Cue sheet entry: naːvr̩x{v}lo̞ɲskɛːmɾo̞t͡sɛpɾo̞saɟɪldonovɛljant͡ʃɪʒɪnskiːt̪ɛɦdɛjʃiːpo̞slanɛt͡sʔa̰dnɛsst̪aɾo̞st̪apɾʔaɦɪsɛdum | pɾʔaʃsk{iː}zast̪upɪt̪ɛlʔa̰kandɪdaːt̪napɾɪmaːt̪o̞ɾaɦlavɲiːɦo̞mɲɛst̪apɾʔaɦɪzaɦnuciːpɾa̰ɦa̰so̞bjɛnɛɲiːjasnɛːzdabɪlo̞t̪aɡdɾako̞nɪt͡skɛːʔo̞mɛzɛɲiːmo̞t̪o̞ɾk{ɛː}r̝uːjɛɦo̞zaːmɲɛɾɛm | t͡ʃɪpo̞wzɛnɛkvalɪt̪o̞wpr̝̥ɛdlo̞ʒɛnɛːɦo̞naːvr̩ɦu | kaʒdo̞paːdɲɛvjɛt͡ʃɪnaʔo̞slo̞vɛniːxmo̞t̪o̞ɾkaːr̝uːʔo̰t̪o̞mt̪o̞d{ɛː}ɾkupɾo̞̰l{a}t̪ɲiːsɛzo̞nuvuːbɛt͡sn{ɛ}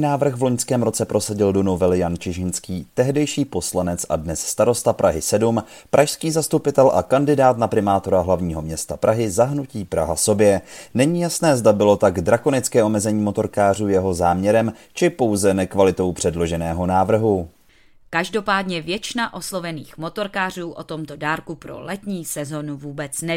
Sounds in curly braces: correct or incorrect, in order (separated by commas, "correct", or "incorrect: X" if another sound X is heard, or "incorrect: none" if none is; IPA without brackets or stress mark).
correct, correct, incorrect: aː, incorrect: aː, incorrect: ɛ, correct